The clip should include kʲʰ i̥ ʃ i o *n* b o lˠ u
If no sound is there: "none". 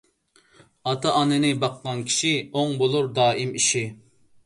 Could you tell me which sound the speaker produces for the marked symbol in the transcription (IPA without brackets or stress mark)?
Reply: ŋ